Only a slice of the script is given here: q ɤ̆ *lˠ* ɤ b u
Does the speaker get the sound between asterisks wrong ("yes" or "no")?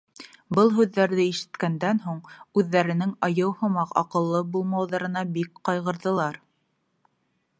yes